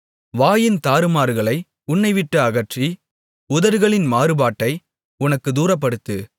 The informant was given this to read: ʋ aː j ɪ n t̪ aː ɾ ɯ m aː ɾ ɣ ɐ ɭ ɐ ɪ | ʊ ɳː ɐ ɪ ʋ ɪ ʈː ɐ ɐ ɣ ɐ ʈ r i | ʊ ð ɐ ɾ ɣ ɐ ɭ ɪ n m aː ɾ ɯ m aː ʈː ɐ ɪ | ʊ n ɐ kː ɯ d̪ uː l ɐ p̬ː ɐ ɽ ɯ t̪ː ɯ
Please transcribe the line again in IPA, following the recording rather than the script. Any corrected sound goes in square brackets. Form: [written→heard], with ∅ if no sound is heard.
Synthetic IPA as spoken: ʋ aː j ɪ n t̪ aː ɾ ɯ m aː ɾ ɣ ɐ ɭ ɐ ɪ | ʊ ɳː ɐ ɪ ʋ ɪ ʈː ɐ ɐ ɣ ɐ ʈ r i | ʊ ð ɐ ɾ ɣ ɐ ɭ ɪ n m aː ɾ ɯ [m→b] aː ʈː ɐ ɪ | ʊ n ɐ kː ɯ d̪ uː [l→ɾ] ɐ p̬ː ɐ ɽ ɯ t̪ː ɯ